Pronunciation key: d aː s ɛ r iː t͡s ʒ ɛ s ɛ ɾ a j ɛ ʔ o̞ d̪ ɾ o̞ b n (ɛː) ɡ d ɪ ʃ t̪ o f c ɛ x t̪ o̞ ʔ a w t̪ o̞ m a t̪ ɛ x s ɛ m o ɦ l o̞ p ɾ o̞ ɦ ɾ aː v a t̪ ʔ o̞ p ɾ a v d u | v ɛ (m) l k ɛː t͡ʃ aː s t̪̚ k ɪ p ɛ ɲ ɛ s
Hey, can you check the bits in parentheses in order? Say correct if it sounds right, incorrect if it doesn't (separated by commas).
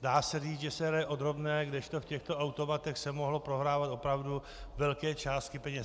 correct, incorrect